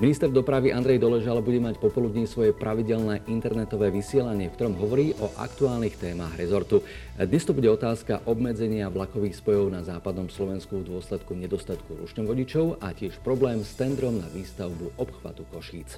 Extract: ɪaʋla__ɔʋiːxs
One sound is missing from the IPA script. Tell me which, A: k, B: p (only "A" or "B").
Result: A